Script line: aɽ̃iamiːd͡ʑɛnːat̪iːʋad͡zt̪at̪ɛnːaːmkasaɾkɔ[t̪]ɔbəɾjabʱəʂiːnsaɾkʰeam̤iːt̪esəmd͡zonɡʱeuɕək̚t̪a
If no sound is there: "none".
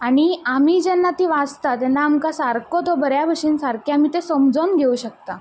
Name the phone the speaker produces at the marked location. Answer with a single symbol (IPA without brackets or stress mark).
t̪